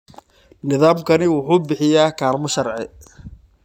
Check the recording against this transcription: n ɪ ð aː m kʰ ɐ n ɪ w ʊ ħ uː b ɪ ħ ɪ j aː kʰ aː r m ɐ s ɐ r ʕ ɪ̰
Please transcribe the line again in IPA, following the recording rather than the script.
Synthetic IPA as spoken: n ɪ ð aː m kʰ ɐ n ɪ w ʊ ħ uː b ɪ ħ ɪ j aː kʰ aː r m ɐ ʃ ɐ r ʕ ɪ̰